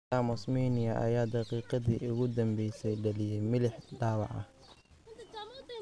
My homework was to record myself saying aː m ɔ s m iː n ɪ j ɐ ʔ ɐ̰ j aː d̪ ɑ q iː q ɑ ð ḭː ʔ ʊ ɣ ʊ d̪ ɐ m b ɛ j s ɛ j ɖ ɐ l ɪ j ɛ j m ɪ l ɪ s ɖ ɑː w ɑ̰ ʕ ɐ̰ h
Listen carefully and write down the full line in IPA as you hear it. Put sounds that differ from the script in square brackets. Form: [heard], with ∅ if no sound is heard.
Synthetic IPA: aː m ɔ s m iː n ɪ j ɐ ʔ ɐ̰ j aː d̪ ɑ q iː q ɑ ð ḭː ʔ ʊ ɣ ʊ d̪ ɐ m b ɛ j s ɛ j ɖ ɐ l ɪ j ɛ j m ɪ l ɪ [ħ] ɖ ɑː w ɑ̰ ʕ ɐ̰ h